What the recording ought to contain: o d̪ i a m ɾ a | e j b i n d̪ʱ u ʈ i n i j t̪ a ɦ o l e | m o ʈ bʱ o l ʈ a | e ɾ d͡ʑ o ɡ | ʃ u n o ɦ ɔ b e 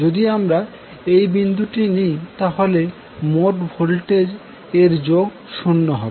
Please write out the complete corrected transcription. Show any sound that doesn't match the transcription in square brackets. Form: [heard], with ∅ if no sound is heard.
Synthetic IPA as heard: o d̪ i a m ɾ a | e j b i n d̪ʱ u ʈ i n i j t̪ a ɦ o l e | m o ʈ bʱ o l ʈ [e] | e ɾ d͡ʑ o ɡ | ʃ u [nː] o ɦ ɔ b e